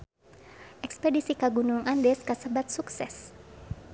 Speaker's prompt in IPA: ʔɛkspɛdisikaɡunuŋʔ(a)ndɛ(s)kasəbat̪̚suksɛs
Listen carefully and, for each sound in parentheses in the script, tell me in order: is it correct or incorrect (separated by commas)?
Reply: correct, correct